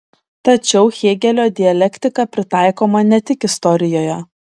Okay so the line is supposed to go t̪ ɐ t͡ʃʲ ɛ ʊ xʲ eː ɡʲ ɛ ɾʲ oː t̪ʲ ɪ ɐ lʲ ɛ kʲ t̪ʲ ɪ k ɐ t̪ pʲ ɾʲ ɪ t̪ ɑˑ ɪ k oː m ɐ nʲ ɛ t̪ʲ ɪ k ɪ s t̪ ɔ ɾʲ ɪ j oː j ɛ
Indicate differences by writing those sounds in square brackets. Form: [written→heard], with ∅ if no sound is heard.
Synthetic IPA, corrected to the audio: t̪ ɐ t͡ʃʲ ɛ ʊ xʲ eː ɡʲ ɛ [ɾʲ→lʲ] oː [t̪ʲ→d̪ʲ] ɪ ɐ lʲ ɛ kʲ t̪ʲ ɪ k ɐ [t̪→∅] pʲ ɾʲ ɪ t̪ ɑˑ ɪ k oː m ɐ nʲ ɛ t̪ʲ ɪ k ɪ s t̪ ɔ ɾʲ ɪ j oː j ɛ